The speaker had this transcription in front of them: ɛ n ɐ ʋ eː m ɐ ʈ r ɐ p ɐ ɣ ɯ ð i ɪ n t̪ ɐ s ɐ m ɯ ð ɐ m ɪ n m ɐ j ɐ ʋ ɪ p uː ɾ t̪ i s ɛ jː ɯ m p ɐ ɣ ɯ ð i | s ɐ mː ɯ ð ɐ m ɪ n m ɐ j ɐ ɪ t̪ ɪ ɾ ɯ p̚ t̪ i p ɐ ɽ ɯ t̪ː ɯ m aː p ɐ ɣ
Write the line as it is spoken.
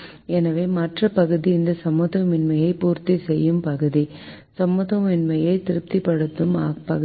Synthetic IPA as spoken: ɛ n ɐ ʋ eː m ɐ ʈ r ɐ p ɐ ɣ ɯ ð i ɪ n d̪ ɐ s ɐ m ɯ ð ɐ m ɪ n m ɐ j ɐ ɪ p uː ɾ t̪ i s ɛ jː ɯ m p ɐ ɣ ɯ ð i | s ɐ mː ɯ ð ɐ m ɪ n m ɐ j ɐ ɪ t̪ ɪ ɾ ɯ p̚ t̪ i p ɐ ɽ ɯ t̪ː ɯ m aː p ɐ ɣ